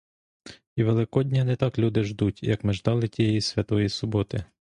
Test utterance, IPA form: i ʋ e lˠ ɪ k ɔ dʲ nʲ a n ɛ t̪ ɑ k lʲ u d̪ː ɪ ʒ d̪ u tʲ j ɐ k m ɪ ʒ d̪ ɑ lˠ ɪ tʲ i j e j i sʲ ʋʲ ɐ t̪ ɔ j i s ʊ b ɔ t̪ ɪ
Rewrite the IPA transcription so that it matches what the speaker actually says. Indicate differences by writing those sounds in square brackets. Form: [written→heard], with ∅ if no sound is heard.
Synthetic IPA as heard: i ʋ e lˠ ɪ k ɔ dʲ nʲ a n ɛ t̪ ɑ k lʲ u [d̪ː→d̪] ɪ ʒ d̪ u tʲ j ɐ k m ɪ ʒ d̪ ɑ lˠ ɪ tʲ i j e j i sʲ ʋʲ ɐ t̪ ɔ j i s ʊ b ɔ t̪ ɪ